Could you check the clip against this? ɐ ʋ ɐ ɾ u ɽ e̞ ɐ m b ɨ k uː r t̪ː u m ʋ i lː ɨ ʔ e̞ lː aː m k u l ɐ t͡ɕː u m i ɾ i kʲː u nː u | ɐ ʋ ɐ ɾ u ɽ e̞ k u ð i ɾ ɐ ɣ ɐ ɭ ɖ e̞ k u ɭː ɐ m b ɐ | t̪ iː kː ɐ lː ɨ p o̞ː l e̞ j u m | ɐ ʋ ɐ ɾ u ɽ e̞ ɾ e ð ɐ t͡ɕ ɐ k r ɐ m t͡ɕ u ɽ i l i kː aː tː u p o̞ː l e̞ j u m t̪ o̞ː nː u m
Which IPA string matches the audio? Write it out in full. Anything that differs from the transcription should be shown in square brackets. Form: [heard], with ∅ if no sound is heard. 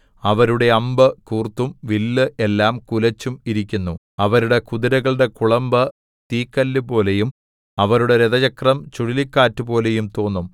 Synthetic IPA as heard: ɐ ʋ ɐ ɾ u ɽ e̞ ɐ m b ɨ k uː r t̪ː u m ʋ i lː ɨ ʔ e̞ lː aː m k u l ɐ t͡ɕː u m i ɾ i kʲː u nː u | ɐ ʋ ɐ ɾ u ɽ e̞ k u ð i ɾ ɐ ɣ ɐ ɭ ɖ e̞ k u [ɭ] ɐ m b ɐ | t̪ iː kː ɐ lː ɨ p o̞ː l e̞ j u m | ɐ ʋ ɐ ɾ u ɽ e̞ ɾ e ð ɐ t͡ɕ ɐ k r ɐ m t͡ɕ u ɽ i l i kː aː tː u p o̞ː l e̞ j u m t̪ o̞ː nː u m